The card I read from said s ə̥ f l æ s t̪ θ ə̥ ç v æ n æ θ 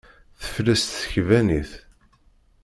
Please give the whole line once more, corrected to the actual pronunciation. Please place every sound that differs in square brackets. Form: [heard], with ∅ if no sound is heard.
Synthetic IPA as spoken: [θ] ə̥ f l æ s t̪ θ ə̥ ç v æ n [i] θ